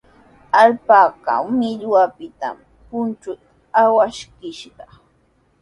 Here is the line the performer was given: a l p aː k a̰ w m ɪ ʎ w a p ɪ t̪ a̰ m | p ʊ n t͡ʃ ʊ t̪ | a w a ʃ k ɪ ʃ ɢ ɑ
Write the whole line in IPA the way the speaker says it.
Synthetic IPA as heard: a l p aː k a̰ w m ɪ ʎ w a p ɪ t̪ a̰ m | p ʊ n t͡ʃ ʊ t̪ | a w a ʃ k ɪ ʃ ɢ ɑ